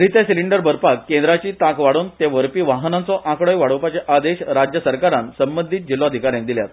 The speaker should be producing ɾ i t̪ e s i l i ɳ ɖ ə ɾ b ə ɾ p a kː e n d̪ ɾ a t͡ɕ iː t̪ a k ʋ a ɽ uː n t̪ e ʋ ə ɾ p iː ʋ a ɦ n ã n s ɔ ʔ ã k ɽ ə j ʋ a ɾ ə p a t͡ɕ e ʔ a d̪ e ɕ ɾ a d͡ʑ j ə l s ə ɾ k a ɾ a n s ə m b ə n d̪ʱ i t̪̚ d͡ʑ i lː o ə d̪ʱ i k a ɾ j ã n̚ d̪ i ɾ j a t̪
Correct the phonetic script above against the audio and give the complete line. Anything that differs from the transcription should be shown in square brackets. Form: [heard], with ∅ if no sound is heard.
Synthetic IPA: ɾ i t̪ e s i l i ɳ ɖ ə ɾ b ə ɾ p a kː e n d̪ ɾ a t͡ɕ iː t̪ a k ʋ a ɽ uː n t̪ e ʋ ə ɾ p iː ʋ a ɦ n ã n [t͡s] ɔ ʔ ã k ɽ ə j ʋ a [ɽ] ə p a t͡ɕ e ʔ a d̪ e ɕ ɾ a d͡ʑ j ə [∅] s ə ɾ k a ɾ a n s ə m b ə n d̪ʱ i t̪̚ d͡ʑ i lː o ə d̪ʱ i k a ɾ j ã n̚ d̪ i [l] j a t̪